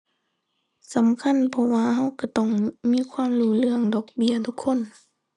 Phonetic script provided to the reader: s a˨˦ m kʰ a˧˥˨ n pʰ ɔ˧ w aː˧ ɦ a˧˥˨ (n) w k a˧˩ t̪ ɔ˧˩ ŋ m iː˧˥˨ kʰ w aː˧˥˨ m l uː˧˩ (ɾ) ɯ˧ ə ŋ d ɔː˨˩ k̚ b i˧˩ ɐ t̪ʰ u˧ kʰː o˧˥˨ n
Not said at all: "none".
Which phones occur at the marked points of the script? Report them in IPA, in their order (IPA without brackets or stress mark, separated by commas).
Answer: none, l